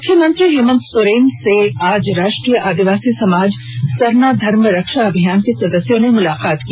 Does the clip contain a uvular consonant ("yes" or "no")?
yes